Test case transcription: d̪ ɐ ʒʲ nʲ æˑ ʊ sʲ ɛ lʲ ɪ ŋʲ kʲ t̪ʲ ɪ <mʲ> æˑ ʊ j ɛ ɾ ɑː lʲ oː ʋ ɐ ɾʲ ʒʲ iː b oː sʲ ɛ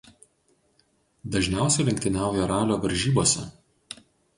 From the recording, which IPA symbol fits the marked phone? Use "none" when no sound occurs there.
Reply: nʲ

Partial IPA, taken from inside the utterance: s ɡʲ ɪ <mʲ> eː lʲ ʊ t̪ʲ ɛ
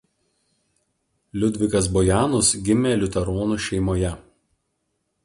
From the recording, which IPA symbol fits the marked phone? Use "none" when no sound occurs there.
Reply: mʲ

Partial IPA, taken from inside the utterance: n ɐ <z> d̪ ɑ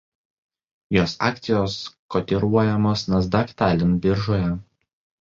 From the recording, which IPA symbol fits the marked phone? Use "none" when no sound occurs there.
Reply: z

